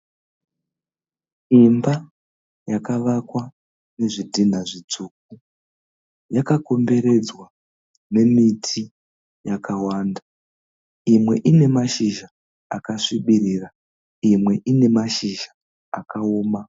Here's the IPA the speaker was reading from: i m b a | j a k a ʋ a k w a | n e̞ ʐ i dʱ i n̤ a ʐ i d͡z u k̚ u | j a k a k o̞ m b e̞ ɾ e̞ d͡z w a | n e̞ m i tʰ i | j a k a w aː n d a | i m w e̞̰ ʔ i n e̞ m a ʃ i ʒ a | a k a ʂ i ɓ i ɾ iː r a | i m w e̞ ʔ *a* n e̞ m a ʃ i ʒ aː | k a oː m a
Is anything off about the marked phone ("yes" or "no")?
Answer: yes